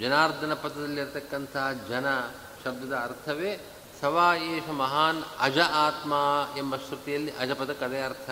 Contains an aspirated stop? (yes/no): yes